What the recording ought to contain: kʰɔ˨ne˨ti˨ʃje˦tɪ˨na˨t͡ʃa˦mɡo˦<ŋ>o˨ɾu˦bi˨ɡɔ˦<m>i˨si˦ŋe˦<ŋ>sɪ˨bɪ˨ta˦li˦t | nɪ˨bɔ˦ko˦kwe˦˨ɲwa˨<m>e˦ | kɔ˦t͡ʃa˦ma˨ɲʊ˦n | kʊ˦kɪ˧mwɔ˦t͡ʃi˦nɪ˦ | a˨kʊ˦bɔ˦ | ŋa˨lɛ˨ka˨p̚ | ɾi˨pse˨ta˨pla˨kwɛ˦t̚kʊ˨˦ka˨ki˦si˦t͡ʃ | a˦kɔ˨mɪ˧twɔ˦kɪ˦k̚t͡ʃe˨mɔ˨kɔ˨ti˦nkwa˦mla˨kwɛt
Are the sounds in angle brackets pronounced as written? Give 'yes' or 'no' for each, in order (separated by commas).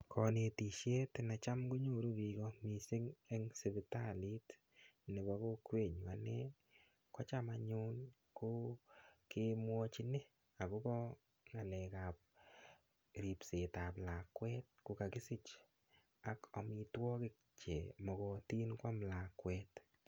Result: no, yes, yes, no